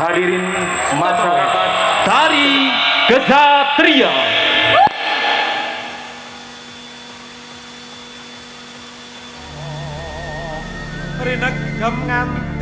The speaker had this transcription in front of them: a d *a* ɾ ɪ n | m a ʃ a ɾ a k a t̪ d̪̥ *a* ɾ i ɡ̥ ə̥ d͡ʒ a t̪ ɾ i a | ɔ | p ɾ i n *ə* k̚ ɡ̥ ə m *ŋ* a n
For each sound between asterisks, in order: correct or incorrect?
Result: incorrect, correct, correct, correct

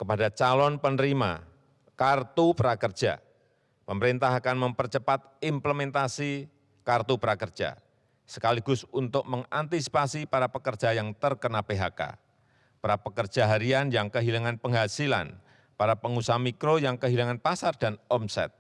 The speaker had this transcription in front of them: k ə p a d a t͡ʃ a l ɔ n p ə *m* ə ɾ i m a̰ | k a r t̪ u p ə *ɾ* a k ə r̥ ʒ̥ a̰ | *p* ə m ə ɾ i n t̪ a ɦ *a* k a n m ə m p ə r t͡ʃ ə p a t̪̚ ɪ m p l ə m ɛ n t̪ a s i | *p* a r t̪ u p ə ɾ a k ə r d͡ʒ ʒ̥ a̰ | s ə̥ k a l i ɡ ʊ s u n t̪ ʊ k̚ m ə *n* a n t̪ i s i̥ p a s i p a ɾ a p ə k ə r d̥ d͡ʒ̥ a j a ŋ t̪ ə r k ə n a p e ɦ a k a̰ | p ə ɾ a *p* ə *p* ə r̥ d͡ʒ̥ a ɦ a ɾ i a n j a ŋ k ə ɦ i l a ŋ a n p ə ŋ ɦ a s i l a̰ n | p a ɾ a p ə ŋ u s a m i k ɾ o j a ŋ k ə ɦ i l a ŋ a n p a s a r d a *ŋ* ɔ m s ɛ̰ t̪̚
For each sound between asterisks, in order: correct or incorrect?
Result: incorrect, correct, correct, correct, incorrect, incorrect, correct, incorrect, incorrect

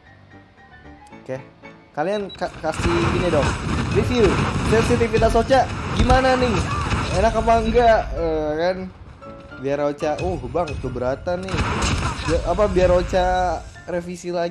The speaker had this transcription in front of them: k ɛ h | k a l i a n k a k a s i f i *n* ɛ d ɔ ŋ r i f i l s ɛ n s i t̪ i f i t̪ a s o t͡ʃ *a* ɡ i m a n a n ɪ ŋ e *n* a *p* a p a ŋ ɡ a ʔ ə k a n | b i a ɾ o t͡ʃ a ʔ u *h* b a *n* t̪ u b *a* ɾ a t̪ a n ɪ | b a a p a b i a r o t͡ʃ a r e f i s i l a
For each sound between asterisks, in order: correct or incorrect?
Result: correct, correct, correct, incorrect, correct, incorrect, incorrect

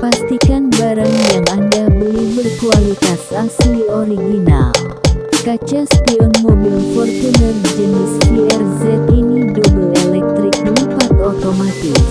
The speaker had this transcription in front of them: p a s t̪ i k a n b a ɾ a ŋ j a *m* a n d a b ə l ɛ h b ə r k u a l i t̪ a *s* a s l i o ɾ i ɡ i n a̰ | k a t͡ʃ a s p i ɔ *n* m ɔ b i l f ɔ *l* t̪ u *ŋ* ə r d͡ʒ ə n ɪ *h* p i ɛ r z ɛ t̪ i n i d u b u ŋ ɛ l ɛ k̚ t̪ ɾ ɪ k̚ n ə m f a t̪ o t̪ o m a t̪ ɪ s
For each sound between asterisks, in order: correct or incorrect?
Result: incorrect, correct, correct, incorrect, incorrect, incorrect

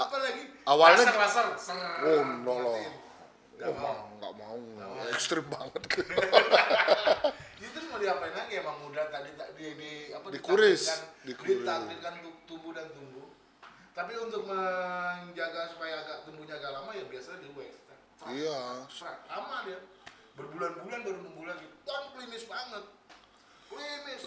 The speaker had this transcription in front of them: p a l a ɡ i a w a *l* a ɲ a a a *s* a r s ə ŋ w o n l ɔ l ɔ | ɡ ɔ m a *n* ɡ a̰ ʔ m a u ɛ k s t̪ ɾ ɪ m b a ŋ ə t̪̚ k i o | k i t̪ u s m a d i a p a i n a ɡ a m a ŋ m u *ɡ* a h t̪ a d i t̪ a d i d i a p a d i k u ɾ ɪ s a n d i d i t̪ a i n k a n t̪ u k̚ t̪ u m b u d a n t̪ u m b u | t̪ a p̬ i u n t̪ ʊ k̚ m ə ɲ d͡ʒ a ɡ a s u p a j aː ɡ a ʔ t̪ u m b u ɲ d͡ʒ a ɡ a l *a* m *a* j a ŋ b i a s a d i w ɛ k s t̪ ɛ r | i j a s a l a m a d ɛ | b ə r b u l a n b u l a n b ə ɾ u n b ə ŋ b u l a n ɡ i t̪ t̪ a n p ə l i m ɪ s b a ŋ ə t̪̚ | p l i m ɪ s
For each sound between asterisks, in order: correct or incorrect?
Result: correct, correct, incorrect, incorrect, correct, correct

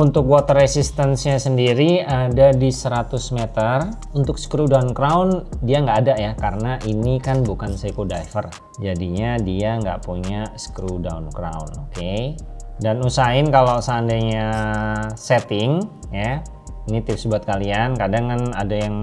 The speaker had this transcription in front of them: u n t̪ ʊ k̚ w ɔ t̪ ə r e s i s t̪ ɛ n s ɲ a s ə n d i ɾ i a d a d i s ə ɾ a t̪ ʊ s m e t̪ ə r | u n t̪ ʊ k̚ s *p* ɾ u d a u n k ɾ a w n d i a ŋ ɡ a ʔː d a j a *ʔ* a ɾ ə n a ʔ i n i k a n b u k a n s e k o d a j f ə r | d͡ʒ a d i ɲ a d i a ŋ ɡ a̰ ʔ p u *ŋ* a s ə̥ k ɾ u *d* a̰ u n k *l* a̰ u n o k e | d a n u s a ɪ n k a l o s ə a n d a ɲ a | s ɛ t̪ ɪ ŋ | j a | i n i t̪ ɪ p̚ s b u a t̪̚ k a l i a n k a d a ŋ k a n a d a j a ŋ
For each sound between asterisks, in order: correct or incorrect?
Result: incorrect, incorrect, incorrect, correct, incorrect

